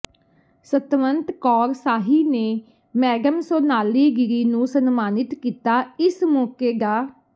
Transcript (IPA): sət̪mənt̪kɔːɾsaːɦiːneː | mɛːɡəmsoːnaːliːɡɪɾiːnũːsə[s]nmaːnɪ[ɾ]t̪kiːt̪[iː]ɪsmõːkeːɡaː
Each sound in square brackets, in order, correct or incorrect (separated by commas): incorrect, incorrect, incorrect